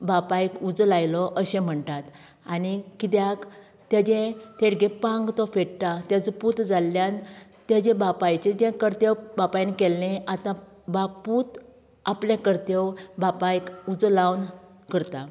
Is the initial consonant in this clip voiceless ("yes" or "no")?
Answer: no